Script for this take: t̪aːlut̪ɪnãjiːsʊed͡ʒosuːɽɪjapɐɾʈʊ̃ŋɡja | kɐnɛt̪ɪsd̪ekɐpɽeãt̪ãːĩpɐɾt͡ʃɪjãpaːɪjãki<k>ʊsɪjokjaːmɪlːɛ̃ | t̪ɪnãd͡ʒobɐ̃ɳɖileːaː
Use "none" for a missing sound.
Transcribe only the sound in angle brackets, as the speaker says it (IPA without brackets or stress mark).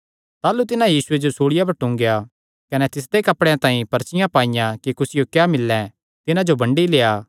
k